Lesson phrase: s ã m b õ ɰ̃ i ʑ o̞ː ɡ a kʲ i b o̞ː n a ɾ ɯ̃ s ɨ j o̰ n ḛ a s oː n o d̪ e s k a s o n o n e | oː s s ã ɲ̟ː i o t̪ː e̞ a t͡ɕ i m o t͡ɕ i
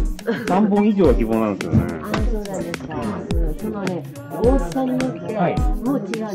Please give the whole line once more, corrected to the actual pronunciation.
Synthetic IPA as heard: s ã m b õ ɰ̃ i ʑ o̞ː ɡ a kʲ i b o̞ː n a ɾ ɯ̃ s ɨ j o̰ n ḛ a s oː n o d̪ e s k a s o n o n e | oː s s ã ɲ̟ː i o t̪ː e̞ a i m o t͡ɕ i

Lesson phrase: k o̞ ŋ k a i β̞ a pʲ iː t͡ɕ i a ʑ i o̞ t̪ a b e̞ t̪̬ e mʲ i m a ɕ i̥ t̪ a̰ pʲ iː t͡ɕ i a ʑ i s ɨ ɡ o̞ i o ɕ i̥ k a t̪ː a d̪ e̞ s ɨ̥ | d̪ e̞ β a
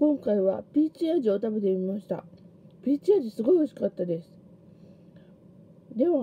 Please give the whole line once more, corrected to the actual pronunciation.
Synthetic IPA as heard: k õ̞ ŋ k a i β̞ a pʲ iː t͡ɕ i a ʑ i o̞ t̪ a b e̞ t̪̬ e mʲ i m a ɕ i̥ t̪ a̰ pʲ iː t͡ɕ i a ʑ i s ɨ ɡ o̞ i o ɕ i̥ k a t̪ː a d̪ e̞ s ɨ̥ | d̪ e̞ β a

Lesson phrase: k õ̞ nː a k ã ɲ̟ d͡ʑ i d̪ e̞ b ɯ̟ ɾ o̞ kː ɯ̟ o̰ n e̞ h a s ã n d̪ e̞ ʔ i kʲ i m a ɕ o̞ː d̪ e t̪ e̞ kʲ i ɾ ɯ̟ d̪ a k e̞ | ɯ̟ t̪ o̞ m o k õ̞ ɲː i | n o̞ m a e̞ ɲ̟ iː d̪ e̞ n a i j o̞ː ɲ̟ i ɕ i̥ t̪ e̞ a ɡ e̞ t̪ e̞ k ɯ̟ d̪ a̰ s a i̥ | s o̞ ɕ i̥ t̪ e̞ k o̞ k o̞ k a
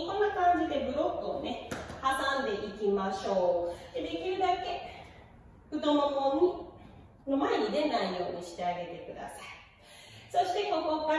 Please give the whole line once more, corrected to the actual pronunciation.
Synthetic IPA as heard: k õ̞ nː a k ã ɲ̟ d͡ʑ i d̪ e̞ b ɯ̟ ɾ o̞ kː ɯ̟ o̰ n e̞ h a s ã n d̪ e̞ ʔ i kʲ i m a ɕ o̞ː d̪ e d̪ e̞ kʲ i ɾ ɯ̟ d̪ a k e̞ | ɯ̟ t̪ o̞ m o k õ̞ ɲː i | n o̞ m a e̞ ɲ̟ i d̪ e̞ n a i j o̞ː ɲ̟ i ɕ i̥ t̪ e̞ a ɡ e̞ t̪ e̞ k ɯ̟ d̪ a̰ s a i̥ | s o̞ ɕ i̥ t̪ e̞ k o̞ k o̞ k a

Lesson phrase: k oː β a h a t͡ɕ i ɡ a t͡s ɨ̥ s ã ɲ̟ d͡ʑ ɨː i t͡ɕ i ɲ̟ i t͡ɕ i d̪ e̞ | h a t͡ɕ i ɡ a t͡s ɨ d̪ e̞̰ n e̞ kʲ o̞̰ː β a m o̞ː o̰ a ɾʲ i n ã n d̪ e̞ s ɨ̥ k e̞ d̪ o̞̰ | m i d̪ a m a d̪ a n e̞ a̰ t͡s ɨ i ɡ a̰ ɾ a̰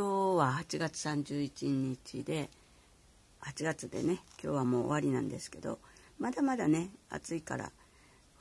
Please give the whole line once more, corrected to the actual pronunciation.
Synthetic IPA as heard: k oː β a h a t͡ɕ i ɡ a t͡s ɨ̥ s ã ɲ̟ d͡ʑ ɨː i t͡ɕ i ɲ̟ i t͡ɕ i d̪ e̞ | h a t͡ɕ i ɡ a t͡s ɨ d̪ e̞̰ n e̞ kʲ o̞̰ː β a m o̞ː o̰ a ɾʲ i n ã n d̪ e̞ s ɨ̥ k e̞ d̪ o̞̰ | m a d̪ a m a d̪ a n e̞ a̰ t͡s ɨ i k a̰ ɾ a̰

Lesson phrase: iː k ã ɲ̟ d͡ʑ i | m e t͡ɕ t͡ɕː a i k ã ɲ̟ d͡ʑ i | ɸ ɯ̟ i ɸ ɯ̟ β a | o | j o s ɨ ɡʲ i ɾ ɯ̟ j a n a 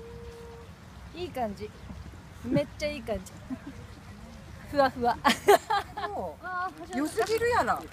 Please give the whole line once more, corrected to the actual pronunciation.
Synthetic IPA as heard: iː k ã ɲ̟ d͡ʑ i | m e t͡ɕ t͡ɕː a iː k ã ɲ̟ d͡ʑ i | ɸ ɯ̟ a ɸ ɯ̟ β a | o | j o s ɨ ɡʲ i ɾ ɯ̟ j a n a

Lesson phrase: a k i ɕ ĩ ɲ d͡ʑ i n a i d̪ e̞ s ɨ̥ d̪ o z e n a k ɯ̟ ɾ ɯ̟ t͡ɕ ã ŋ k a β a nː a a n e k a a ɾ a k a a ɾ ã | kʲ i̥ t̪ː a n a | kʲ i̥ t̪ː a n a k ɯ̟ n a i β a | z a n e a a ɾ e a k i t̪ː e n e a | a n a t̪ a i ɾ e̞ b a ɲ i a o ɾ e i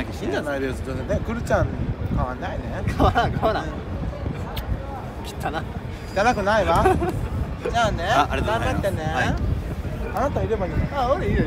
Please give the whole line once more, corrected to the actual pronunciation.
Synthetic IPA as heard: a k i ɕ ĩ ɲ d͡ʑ a n a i d̪ e̞ s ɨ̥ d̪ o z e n e k ɯ̟ ɾ ɯ̟ t͡ɕ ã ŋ k a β a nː a i n e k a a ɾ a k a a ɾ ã | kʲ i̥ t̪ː a n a | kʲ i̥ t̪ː a n a k ɯ̟ n a i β a | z a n e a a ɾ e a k a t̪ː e n e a | a n a t̪ a i ɾ e̞ b a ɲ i a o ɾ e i

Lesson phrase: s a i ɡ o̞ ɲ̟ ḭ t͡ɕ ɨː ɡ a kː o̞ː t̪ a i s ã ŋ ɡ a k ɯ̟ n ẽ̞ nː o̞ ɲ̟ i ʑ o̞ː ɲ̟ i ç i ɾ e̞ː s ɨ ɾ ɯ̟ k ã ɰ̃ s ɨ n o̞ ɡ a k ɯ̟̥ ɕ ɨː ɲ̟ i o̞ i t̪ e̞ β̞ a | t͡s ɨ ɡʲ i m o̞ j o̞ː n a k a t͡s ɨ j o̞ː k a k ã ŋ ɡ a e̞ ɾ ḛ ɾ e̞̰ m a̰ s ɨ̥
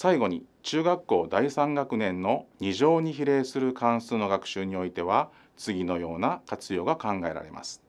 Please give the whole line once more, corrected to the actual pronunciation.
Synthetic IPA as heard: s a i ɡ o̞ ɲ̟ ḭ t͡ɕ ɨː ɡ a kː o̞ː d̪ a i s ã ŋ ɡ a k ɯ̟ n ẽ̞ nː o̞ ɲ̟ i ʑ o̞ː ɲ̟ i ç i ɾ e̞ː s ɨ ɾ ɯ̟ k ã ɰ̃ s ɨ n o̞ ɡ a k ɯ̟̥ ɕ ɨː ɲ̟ i o̞ i t̪ e̞ β̞ a | t͡s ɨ ɡʲ i n o̞ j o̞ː n a k a t͡s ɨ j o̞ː ɡ a k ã ŋ ɡ a e̞ ɾ a̰ ɾ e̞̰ m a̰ s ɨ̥

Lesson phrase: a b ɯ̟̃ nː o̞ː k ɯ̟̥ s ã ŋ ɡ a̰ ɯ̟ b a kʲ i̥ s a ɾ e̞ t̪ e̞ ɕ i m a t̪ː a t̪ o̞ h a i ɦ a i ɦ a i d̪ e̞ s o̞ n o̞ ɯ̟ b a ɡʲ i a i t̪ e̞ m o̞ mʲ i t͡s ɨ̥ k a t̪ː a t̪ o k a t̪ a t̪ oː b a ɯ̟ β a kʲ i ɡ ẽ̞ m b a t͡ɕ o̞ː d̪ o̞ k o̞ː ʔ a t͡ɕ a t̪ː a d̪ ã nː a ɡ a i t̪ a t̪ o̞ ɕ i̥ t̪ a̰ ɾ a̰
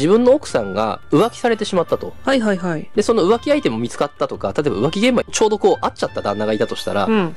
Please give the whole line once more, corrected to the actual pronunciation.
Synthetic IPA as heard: i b ɯ̟̃ nː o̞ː k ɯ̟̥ s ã ŋ ɡ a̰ ɯ̟ β a kʲ i̥ s a ɾ e̞ t̪ e̞ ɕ i m a t̪ː a t̪ o̞ h a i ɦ a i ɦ a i d̪ e̞ s o̞ n o̞ ɯ̟ β a kʲ i a i t̪ e̞ m o̞ mʲ i t͡s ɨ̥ k a t̪ː a t̪ o k a t̪ a t̪ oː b a ɯ̟ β a kʲ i ɡ ẽ̞ m b a t͡ɕ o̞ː d̪ o̞ k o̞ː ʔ a t͡ɕ a t̪ː a d̪ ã nː a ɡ a i t̪ a t̪ o̞ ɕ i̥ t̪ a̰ ɾ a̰

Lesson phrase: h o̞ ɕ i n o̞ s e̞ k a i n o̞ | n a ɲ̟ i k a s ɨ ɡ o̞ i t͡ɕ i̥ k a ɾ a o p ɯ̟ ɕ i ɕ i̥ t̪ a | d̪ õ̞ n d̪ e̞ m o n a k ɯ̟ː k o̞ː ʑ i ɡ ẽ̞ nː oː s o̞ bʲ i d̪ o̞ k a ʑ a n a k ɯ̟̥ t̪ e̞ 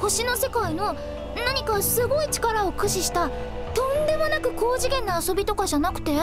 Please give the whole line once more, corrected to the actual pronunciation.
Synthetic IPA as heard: h o̞ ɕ i n o̞ s e̞ k a i n o̞ | n a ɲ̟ i k a s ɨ ɡ o̞ i t͡ɕ i̥ k a ɾ a o k ɯ̟ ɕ i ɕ i̥ t̪ a | t̪ õ̞ n d̪ e̞ m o n a k ɯ̟ k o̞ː ʑ i ɡ ẽ̞ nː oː s o̞ bʲ i t̪ o̞ k a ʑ a n a k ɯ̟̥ t̪ e̞

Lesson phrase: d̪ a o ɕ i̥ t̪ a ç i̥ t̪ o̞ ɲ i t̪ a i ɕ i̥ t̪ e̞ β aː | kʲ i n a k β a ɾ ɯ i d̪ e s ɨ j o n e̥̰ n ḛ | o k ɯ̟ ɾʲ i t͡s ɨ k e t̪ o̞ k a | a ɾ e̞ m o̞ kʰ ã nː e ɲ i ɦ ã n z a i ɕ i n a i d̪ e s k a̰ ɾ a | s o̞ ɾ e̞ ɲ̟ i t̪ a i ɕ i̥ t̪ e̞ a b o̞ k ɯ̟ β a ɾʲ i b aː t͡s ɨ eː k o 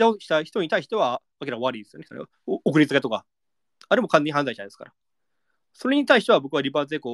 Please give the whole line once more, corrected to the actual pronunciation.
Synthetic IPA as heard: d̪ a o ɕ i̥ t̪ a ç i̥ t̪ o̞ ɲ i t̪ a i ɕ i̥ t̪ e̞ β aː | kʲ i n a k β a ɾ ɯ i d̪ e s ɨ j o n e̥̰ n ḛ | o k ɯ̟ ɾʲ i t͡s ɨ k e t̪ o̞ k a | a ɾ e̞ m o̞ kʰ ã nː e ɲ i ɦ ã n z a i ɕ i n a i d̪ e s k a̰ ɾ a | s o̞ ɾ e̞ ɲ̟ i t̪ a i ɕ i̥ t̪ e̞ a b o̞ k ɯ̟ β a ɾʲ i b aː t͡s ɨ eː k o

